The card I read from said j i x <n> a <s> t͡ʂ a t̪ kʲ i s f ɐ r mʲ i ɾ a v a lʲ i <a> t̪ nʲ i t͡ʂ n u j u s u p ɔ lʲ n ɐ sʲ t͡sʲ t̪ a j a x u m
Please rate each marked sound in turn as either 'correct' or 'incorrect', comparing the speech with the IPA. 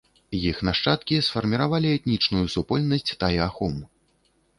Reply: correct, incorrect: ʂ, incorrect: ɛ

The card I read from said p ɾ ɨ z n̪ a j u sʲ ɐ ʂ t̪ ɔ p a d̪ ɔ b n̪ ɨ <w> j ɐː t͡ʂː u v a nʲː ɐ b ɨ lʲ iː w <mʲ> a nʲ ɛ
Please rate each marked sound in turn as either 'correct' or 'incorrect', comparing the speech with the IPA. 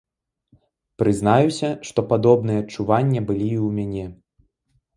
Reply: incorrect: none, correct

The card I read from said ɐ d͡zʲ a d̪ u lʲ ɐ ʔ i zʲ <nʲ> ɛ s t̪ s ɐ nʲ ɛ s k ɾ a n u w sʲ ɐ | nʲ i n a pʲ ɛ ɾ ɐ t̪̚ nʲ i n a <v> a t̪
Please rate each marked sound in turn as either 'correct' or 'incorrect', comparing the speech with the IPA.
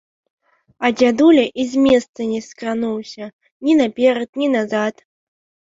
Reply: incorrect: mʲ, incorrect: z

